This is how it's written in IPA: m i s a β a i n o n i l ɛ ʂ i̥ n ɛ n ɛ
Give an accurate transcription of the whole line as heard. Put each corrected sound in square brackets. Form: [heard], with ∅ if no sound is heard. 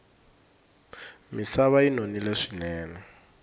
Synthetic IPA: m i s a β a i n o n i l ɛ ʂ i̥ n [ɛː] n ɛ